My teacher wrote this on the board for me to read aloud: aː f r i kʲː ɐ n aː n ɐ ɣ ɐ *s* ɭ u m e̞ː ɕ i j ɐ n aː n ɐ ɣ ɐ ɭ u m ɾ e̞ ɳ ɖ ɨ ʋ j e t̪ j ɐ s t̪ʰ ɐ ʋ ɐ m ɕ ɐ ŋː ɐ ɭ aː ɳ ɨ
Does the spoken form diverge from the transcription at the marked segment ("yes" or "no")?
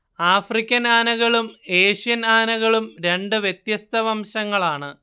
yes